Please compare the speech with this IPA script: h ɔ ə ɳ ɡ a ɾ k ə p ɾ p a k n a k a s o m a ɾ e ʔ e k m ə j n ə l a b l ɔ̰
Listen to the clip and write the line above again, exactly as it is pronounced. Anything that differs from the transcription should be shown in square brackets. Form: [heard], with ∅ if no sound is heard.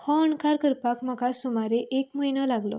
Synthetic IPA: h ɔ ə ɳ [k] a ɾ k ə [∅] ɾ p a k [m] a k a s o m a ɾ e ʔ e k m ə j n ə l a [ɡ] l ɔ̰